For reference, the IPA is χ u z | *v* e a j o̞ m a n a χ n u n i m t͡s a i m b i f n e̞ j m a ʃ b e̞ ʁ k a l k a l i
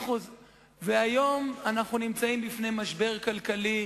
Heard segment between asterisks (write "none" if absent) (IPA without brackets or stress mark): v